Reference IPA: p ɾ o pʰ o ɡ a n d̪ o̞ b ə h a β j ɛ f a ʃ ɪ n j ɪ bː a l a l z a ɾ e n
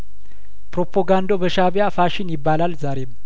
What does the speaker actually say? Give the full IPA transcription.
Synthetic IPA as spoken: p ɾ o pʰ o ɡ a n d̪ o̞ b ə ʃ a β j a f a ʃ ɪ n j ɪ bː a l a l z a ɾ e m